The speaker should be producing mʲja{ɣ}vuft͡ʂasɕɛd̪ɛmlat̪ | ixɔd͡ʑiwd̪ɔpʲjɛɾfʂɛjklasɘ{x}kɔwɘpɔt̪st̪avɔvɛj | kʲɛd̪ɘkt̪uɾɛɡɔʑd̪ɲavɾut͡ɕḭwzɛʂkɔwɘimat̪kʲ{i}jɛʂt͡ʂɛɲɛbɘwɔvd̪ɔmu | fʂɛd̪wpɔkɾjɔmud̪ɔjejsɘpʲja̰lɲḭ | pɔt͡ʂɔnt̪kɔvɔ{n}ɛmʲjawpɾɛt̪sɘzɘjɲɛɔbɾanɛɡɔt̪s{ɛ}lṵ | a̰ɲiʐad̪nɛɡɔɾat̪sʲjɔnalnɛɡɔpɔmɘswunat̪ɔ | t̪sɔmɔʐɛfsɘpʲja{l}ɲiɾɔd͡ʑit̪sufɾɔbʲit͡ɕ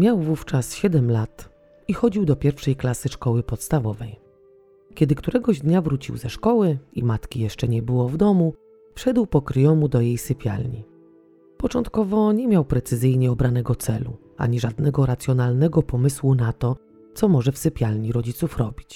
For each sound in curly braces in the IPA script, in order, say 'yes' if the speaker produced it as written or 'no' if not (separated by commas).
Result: no, no, yes, no, yes, yes